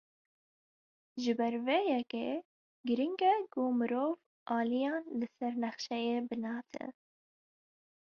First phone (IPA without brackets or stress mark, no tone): ʒ